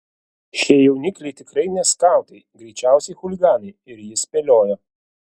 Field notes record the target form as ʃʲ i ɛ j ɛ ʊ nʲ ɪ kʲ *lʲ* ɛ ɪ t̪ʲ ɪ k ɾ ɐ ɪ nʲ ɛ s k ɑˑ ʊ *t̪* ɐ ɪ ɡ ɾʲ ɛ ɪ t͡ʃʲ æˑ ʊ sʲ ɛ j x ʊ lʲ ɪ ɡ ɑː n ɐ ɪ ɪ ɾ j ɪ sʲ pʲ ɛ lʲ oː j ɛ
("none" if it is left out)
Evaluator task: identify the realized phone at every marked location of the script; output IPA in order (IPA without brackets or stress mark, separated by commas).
lʲ, t̪